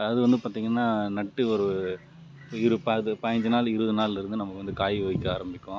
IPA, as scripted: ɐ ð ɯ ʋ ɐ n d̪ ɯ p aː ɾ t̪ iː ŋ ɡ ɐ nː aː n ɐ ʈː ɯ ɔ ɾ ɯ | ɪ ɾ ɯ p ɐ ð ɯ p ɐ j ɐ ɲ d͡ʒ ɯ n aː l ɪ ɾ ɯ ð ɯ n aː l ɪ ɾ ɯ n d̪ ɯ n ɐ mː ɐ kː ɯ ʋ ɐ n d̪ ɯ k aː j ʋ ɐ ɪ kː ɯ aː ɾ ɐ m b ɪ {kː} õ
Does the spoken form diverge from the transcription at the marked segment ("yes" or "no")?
no